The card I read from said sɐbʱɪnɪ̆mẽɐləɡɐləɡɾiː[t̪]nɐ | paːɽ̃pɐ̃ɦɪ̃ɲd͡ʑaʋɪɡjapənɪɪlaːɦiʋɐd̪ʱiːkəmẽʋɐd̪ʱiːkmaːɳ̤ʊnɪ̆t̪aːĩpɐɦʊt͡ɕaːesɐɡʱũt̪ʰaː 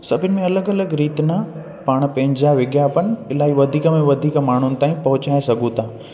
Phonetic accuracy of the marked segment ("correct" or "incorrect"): correct